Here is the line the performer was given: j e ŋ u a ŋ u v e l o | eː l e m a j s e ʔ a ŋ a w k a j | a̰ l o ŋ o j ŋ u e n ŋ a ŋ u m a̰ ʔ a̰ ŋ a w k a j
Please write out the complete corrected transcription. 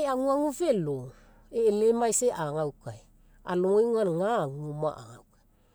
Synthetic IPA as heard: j a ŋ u a ŋ u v e l o | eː l e m a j s e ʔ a ŋ a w k a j | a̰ l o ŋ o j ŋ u a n ŋ a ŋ u m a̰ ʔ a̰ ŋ a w k a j